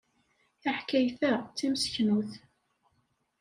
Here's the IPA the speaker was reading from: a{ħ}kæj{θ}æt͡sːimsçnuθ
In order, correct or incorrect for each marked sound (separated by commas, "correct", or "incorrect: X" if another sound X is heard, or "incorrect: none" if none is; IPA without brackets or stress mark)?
correct, correct